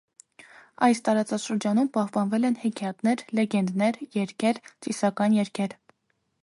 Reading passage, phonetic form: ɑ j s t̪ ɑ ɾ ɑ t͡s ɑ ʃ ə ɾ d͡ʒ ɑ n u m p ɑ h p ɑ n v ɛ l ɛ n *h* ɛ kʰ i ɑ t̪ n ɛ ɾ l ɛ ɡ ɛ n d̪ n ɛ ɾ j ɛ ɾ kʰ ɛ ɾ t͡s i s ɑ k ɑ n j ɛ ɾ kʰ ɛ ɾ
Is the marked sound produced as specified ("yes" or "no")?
yes